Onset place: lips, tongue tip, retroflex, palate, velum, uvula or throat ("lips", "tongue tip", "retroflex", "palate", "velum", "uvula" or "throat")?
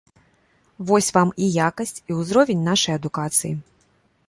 lips